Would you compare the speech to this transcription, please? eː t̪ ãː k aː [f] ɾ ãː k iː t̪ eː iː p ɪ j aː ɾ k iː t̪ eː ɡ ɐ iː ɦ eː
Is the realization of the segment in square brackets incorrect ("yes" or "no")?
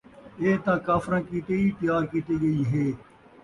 no